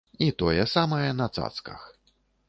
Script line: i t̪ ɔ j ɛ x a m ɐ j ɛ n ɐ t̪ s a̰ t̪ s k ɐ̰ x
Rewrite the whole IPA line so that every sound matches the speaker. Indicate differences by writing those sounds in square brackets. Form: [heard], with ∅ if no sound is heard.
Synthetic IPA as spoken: i t̪ ɔ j ɛ [s] a m ɐ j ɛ n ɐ t̪ s a̰ t̪ s k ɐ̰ x